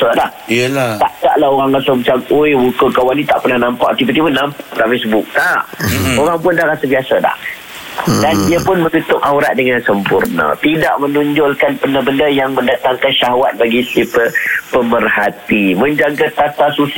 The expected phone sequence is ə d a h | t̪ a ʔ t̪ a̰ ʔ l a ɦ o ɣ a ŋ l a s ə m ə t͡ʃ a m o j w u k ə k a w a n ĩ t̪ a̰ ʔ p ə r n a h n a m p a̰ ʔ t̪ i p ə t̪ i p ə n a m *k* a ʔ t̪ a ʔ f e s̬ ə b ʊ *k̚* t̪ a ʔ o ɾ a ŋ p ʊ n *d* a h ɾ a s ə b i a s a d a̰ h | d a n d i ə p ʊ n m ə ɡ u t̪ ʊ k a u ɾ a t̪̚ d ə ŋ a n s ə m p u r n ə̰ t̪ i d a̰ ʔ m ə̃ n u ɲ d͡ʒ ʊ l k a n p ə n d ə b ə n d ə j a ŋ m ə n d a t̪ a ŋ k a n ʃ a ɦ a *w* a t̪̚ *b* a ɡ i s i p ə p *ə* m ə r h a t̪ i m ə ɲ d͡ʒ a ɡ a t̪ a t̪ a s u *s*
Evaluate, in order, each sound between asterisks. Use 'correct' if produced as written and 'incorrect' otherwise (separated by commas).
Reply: incorrect, correct, correct, correct, correct, correct, correct